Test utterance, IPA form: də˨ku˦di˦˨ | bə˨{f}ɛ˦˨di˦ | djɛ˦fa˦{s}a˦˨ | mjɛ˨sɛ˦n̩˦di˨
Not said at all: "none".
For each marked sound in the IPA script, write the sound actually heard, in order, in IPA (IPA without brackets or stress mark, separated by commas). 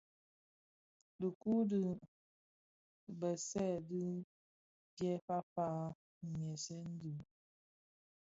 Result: s, f